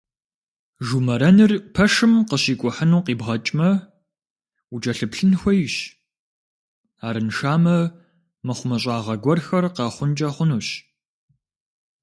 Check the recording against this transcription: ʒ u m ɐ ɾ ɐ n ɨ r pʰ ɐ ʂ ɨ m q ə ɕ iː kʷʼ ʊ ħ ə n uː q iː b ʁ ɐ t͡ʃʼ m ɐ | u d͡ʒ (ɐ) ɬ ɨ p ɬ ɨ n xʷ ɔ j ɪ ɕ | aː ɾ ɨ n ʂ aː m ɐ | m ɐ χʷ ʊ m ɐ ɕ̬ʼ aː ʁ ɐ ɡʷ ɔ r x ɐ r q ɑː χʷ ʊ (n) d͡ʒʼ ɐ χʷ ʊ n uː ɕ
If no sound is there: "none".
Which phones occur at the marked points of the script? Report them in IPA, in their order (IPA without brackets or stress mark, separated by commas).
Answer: ɐ, n